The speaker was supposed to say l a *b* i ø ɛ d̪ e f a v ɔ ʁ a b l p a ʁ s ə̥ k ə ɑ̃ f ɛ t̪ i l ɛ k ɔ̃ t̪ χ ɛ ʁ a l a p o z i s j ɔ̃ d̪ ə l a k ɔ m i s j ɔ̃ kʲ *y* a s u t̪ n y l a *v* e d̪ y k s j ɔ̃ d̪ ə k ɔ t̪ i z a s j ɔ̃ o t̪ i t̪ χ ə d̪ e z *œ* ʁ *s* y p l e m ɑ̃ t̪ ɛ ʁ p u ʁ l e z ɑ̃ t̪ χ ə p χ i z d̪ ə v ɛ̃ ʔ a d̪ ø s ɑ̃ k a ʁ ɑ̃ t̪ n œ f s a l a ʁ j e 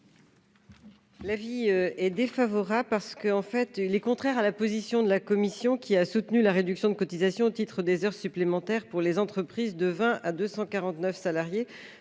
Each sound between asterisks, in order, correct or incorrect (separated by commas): incorrect, incorrect, incorrect, correct, correct